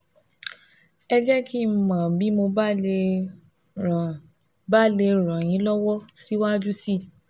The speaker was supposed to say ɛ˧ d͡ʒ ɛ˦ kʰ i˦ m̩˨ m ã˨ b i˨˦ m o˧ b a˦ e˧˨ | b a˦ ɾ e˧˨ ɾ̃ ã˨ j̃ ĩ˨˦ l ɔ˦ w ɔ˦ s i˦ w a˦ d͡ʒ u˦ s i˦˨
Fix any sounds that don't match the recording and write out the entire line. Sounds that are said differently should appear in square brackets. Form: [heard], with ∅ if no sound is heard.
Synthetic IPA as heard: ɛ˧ d͡ʒ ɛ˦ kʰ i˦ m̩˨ m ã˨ b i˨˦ m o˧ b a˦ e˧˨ | b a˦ [l] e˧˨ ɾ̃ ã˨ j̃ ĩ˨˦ l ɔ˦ w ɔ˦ s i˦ w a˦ d͡ʒ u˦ s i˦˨